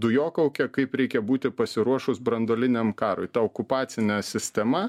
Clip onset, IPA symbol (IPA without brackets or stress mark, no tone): d̪